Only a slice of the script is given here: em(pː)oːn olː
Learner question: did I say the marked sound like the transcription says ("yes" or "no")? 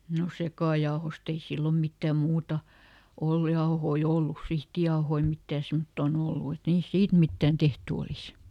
no